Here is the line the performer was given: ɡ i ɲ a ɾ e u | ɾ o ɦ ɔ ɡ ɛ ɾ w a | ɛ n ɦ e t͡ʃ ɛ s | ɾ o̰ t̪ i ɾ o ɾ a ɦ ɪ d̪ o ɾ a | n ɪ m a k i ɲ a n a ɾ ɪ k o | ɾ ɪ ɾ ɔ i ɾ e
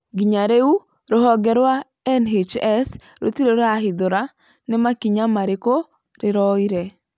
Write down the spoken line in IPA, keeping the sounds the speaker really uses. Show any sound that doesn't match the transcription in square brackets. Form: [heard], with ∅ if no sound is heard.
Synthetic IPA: ɡ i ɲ a ɾ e u | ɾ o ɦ ɔ ɡ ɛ ɾ w a | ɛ n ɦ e t͡ʃ ɛ s | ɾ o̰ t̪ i ɾ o ɾ a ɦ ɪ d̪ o ɾ a | n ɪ m a k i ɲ a [m] a ɾ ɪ k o | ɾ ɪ ɾ ɔ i ɾ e